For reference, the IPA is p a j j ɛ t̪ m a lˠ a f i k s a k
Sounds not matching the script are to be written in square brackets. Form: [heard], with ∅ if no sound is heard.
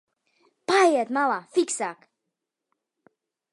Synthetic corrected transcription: p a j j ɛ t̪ m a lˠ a f i k s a k